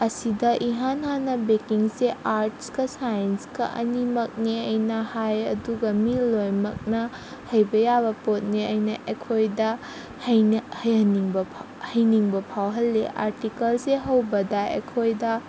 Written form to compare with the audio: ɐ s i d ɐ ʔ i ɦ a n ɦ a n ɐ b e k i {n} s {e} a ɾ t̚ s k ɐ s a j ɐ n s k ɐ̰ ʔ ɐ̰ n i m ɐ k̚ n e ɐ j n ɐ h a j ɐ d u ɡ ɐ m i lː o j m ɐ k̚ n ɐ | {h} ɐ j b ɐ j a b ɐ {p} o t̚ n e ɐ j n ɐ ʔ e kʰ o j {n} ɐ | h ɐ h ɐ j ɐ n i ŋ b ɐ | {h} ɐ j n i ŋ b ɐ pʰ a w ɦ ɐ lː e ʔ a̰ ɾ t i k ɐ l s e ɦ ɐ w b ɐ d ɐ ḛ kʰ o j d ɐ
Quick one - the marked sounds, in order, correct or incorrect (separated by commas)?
incorrect, correct, correct, correct, incorrect, correct